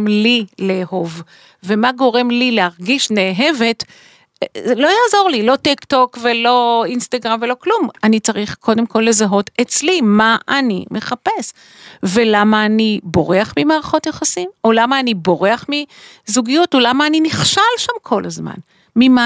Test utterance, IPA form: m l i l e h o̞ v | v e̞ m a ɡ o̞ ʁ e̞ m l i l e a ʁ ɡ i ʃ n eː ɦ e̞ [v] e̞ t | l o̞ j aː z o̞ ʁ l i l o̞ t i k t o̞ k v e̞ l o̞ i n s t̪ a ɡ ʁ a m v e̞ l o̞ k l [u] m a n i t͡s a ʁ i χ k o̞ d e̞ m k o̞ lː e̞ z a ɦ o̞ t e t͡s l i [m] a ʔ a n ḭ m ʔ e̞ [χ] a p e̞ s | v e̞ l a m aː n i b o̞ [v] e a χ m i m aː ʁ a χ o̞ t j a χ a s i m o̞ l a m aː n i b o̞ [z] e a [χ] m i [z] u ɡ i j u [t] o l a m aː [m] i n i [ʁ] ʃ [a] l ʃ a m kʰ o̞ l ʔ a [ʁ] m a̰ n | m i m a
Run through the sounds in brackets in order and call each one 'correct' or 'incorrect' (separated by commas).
correct, correct, correct, correct, incorrect, incorrect, correct, correct, correct, incorrect, incorrect, correct, incorrect